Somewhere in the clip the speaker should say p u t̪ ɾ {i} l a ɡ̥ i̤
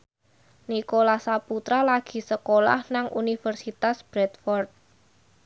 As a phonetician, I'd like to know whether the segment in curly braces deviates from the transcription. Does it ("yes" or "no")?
yes